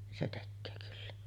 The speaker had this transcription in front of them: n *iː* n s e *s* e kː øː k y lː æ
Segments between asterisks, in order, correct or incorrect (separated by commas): incorrect, incorrect